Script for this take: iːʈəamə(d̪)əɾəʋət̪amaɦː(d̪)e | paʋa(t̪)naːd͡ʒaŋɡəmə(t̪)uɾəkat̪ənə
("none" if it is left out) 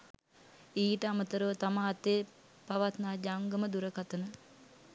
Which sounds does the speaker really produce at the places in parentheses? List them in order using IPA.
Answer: t̪, t̪, t̪, d̪

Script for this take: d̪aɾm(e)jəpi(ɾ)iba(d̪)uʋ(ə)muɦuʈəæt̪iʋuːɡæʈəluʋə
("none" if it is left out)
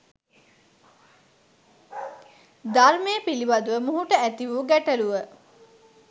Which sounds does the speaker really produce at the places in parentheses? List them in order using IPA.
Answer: e, l, d̪, ə

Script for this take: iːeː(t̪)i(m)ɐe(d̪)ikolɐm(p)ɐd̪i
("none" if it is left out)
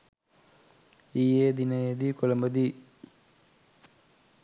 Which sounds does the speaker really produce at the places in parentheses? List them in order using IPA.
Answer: d̪, n, d̪, b

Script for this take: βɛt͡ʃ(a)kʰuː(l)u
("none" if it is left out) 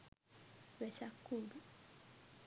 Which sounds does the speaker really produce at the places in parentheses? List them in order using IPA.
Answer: a, l

